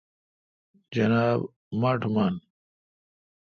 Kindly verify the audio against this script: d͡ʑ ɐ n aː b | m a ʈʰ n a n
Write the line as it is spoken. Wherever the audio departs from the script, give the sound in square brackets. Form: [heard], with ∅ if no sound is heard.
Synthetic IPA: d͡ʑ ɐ n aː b | m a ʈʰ [m] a n